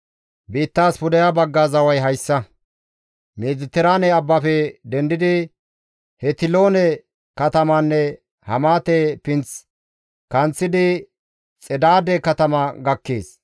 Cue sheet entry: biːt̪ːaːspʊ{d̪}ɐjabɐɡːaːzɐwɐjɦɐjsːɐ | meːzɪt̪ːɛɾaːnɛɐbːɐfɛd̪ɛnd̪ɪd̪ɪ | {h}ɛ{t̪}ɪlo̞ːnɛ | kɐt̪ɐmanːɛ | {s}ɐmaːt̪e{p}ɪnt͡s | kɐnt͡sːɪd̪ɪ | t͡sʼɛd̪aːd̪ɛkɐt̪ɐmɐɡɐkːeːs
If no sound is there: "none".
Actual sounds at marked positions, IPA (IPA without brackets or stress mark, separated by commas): d̪, h, t̪, h, p